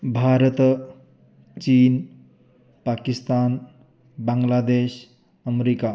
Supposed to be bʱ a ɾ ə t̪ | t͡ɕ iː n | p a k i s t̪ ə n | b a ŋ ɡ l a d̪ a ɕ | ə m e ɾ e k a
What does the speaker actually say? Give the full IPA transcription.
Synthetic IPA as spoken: bʱ a ɾ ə t̪ | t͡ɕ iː n | p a k i s t̪ a n | b a ŋ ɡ l a d̪ e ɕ | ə m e ɾ i k a